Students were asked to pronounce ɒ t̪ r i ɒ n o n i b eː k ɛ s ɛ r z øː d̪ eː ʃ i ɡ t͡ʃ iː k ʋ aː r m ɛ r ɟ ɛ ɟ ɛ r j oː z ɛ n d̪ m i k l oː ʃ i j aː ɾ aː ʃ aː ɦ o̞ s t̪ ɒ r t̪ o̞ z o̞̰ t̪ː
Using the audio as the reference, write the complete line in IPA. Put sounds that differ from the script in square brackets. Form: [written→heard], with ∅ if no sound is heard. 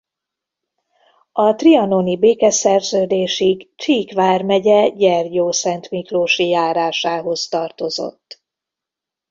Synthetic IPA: ɒ t̪ r i ɒ n o n i b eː k ɛ s ɛ r z øː d̪ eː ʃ i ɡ t͡ʃ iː k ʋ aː r m ɛ [r→∅] ɟ ɛ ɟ ɛ r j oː [z→s] ɛ n [d̪→t̪] m i k l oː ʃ i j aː ɾ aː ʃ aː ɦ o̞ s t̪ ɒ r t̪ o̞ z o̞̰ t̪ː